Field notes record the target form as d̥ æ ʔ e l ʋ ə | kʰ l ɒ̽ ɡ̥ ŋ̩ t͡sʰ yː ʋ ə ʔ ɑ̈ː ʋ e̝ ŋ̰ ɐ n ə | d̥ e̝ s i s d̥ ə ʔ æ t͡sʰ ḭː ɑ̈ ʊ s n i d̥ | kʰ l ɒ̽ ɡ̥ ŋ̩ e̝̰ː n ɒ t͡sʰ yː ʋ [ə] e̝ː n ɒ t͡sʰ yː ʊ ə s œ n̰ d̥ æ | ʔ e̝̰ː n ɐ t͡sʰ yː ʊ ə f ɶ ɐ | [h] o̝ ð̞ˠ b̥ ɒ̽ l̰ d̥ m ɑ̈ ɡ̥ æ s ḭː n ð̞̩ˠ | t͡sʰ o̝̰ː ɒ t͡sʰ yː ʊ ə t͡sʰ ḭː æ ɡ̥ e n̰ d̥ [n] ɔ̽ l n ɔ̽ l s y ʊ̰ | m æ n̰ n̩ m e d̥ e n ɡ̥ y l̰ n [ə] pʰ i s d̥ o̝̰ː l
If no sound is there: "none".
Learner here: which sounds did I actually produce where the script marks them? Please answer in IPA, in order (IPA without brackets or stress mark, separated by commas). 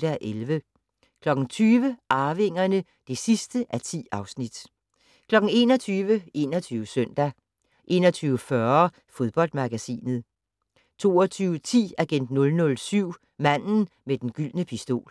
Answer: ə, f, n, ə